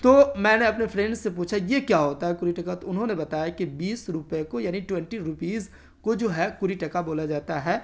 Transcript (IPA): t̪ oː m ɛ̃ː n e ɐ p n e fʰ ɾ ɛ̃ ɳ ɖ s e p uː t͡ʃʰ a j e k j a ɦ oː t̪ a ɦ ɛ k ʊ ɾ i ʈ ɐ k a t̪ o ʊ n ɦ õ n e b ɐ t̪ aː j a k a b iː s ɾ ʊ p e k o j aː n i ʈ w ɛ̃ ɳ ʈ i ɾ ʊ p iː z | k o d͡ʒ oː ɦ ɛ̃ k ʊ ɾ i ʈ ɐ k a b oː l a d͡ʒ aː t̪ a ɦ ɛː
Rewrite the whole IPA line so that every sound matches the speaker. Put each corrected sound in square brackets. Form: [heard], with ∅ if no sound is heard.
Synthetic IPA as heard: t̪ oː m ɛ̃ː n e ɐ p n e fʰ ɾ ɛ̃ ɳ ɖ s e p uː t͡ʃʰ a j e k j a ɦ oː t̪ a ɦ ɛ k ʊ ɾ i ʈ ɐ k a t̪ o ʊ n ɦ õ n e b ɐ t̪ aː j a k [i] b iː s ɾ ʊ p e k o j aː n i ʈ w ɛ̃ ɳ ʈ i ɾ ʊ p iː z | k o d͡ʒ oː ɦ [ɛ] k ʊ ɾ i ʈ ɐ k a b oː l a d͡ʒ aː t̪ a ɦ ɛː